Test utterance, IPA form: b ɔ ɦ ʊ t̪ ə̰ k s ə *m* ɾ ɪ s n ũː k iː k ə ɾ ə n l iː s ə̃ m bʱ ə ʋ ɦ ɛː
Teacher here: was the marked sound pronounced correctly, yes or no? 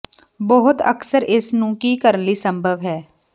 no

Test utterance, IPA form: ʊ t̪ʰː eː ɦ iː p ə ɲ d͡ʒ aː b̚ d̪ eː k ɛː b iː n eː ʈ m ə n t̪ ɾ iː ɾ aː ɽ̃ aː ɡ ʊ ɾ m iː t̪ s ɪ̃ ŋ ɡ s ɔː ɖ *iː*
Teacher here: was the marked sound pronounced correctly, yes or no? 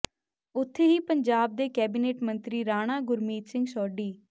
yes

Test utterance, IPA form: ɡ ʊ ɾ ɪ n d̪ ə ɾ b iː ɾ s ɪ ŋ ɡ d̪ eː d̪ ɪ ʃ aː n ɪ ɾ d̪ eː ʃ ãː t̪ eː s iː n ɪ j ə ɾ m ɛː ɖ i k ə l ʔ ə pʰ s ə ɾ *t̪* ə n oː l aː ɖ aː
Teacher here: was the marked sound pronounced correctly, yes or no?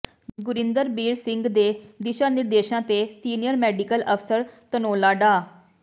yes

